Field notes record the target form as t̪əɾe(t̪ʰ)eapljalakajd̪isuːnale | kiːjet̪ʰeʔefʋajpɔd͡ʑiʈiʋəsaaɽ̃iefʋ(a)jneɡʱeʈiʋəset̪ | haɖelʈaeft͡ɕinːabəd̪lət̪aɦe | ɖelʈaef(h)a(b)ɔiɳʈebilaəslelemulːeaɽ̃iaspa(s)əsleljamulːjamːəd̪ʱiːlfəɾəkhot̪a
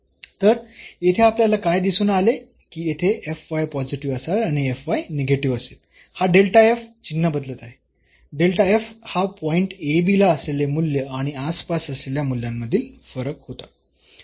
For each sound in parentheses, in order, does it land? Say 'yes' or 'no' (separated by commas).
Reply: yes, yes, yes, no, yes